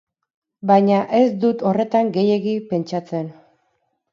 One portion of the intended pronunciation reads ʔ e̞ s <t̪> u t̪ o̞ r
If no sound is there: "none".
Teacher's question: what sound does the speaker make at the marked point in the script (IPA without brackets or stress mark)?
d̪